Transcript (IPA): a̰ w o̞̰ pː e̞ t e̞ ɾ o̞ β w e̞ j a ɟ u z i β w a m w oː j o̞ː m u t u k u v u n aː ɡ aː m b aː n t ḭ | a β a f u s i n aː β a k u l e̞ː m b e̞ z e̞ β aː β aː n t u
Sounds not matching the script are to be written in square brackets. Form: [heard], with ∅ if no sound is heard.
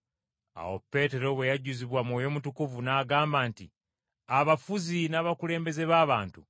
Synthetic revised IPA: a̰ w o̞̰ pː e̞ t e̞ ɾ o̞ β w e̞ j a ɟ u z i β w a m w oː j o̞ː m u t u k u v u n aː ɡ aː m b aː n t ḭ | a β a f u [z] i n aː β a k u l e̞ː m b e̞ z e̞ β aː β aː n t u